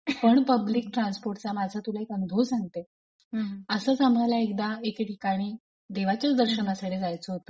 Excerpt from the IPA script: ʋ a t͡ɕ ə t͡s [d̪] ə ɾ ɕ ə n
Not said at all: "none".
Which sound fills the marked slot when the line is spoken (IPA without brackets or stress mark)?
d̪